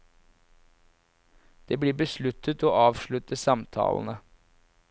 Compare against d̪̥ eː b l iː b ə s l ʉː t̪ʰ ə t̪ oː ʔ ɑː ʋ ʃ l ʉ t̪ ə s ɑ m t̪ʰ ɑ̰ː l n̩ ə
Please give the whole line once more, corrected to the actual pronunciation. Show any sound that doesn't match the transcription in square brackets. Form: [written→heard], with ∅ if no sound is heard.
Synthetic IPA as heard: d̪̥ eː b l iː b ə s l [ʉː→ʉ] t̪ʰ ə t̪ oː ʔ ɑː ʋ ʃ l ʉ t̪ ə s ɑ m t̪ʰ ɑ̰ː l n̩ ə